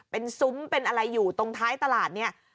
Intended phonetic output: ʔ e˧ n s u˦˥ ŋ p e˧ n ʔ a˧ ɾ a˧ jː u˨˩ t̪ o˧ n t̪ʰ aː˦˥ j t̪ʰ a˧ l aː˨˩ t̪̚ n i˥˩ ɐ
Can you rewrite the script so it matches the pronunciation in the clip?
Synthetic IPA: p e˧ n s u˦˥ m p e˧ n ʔ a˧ ɾ a˧ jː uː˨˩ t̪ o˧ ŋ t̪ʰ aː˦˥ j t̪ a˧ l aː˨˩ t̪̚ n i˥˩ ɐ